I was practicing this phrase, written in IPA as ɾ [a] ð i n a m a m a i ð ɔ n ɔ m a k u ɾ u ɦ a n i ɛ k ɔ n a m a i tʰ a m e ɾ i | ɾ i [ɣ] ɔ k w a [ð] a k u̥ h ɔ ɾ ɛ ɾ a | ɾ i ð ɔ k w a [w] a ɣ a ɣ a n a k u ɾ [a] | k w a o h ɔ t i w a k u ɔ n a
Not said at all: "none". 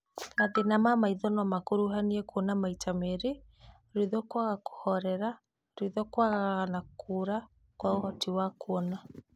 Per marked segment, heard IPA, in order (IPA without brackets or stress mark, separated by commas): a, ð, ɣ, ɣ, a